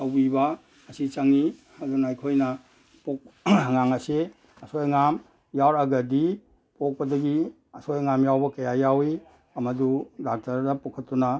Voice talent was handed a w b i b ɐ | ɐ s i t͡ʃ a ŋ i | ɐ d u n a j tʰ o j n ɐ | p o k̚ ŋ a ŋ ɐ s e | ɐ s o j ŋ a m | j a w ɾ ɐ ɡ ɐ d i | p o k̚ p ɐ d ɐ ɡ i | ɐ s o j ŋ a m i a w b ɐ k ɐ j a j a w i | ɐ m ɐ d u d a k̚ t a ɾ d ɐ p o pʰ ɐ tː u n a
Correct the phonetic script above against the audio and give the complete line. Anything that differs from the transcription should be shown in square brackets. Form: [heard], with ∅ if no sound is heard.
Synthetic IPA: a w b i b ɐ | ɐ s i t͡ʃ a ŋ i | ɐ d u n a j [kʰ] o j n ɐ | p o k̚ ŋ a ŋ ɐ s e | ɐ s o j ŋ a m | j a w ɾ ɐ ɡ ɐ d i | p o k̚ p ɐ d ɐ ɡ i | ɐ s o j ŋ a m [j] a w b ɐ k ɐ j a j a w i | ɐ m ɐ d u d a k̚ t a ɾ d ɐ p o [kʰ] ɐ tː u n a